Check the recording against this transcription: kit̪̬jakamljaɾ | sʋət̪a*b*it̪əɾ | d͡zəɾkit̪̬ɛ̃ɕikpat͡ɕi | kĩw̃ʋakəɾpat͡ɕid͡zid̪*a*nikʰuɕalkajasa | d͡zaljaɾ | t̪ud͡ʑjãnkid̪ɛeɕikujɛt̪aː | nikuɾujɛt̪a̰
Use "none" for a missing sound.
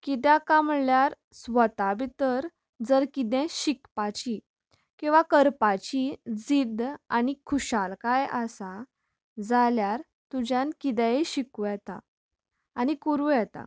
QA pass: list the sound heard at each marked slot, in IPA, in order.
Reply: b, a

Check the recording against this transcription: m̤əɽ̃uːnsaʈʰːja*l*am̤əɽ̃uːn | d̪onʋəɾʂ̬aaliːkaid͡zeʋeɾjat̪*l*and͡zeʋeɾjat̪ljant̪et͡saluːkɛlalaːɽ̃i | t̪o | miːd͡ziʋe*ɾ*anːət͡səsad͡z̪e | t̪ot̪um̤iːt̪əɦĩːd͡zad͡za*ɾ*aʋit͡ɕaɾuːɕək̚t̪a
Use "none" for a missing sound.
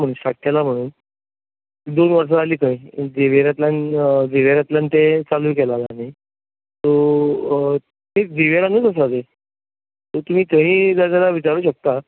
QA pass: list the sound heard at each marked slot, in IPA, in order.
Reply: l, l, ɾ, l

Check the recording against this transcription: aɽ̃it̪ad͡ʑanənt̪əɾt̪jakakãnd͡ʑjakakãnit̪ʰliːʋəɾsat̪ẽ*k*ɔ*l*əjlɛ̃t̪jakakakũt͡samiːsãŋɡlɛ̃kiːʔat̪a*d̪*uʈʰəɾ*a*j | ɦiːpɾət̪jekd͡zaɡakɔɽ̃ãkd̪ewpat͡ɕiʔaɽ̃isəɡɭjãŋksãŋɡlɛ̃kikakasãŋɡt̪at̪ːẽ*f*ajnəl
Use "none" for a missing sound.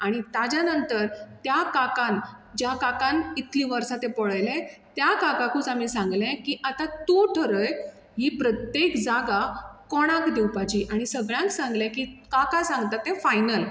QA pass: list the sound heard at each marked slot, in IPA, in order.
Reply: p, ɭ, t̪, ə, f

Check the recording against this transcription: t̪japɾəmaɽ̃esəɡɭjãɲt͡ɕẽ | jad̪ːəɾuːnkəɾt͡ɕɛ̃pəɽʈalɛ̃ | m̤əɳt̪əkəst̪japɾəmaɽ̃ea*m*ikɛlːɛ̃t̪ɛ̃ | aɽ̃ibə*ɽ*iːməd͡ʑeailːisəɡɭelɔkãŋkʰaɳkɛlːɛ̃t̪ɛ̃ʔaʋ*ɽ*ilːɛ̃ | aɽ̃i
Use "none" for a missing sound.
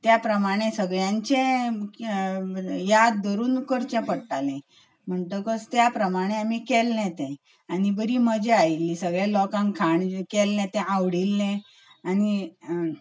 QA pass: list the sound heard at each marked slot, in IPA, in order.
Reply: m, ɾ, ɽ

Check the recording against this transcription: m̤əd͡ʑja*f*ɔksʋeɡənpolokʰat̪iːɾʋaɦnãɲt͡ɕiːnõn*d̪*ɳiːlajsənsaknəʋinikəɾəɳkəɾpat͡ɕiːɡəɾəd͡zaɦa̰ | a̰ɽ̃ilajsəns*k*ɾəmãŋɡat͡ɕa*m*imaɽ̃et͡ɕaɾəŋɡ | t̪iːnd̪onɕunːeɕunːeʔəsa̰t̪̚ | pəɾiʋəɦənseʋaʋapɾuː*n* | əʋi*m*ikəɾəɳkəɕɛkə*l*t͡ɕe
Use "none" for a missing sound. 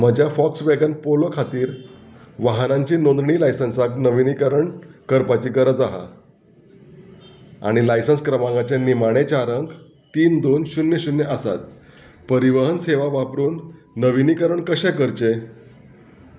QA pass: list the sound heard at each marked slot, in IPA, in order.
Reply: f, d̪, k, n, nː, n, ɾ

